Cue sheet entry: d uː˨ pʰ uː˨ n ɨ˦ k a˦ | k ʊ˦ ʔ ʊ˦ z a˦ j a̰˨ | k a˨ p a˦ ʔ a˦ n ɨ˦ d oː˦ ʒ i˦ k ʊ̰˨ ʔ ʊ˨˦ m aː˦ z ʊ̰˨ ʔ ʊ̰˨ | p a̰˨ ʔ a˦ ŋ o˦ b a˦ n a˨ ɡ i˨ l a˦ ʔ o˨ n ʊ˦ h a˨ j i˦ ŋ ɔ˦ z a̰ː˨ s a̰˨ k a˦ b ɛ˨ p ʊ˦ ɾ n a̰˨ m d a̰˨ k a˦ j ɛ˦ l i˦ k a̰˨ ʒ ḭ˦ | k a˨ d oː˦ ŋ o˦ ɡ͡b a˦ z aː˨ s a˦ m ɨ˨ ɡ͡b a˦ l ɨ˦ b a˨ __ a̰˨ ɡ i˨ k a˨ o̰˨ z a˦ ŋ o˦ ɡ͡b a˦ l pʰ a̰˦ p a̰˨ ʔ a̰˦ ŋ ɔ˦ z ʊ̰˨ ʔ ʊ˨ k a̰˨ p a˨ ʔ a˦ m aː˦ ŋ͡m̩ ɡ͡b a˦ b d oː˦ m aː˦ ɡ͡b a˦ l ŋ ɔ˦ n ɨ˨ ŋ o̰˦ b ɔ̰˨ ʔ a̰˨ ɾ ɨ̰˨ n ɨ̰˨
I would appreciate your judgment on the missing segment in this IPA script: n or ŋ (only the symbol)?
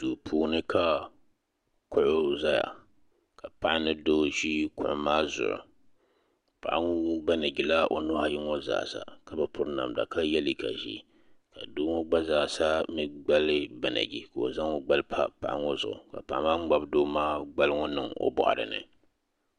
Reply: n